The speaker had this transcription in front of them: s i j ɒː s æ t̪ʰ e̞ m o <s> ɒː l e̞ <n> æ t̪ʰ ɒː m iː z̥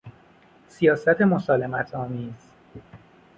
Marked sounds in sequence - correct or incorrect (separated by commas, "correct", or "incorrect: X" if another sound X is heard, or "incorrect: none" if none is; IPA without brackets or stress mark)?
correct, incorrect: m